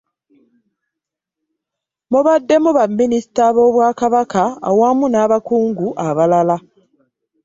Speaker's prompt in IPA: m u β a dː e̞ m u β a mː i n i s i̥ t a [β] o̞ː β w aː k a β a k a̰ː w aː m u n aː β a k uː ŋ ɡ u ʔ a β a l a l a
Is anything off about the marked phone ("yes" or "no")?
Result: no